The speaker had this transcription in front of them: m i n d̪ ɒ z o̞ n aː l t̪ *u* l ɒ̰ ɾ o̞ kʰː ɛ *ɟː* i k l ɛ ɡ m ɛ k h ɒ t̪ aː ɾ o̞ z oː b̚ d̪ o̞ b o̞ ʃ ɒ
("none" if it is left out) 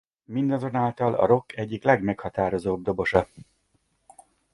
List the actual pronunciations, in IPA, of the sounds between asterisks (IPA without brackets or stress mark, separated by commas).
ɒ, ɟː